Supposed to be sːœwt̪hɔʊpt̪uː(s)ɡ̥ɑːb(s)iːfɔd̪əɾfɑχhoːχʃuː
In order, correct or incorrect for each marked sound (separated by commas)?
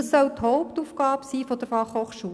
incorrect, correct